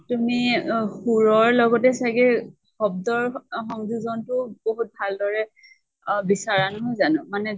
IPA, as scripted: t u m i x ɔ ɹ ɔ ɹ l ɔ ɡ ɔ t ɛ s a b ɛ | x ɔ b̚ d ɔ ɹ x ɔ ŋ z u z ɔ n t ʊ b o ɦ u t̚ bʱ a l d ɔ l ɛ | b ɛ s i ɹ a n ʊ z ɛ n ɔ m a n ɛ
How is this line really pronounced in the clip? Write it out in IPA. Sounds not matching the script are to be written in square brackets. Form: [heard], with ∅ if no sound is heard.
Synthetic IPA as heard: t u m i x [u] ɹ ɔ ɹ l ɔ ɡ ɔ t ɛ s a [ɡ] ɛ | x ɔ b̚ d ɔ ɹ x ɔ ŋ z u z ɔ n t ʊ b o ɦ u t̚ bʱ a l d ɔ [ɹ] ɛ | b [i] s [a] ɹ a n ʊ z [a] n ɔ m a n ɛ